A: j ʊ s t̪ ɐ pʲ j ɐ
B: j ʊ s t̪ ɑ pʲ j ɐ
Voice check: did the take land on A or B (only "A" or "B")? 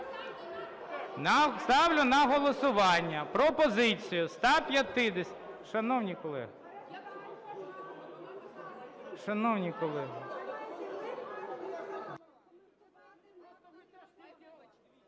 B